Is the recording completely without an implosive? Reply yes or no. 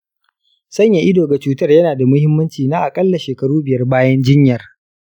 yes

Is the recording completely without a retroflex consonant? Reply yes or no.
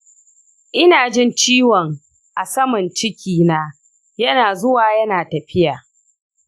yes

